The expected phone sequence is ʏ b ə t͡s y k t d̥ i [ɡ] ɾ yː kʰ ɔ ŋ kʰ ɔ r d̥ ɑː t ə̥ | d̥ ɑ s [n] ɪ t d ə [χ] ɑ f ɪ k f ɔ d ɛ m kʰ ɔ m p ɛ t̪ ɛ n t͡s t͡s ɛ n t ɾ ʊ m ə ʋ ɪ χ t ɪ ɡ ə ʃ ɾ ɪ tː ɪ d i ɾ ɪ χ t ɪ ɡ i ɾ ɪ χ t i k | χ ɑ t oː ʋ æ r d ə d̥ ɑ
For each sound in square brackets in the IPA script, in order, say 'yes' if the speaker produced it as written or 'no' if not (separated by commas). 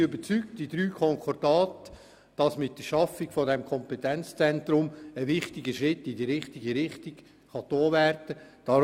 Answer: no, no, no